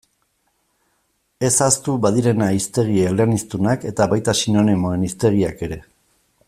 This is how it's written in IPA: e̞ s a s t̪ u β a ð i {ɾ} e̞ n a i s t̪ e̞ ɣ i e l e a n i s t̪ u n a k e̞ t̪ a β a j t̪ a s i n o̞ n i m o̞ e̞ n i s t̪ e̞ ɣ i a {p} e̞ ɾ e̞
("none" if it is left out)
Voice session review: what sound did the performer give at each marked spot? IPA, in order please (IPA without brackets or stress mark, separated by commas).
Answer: ɾ, k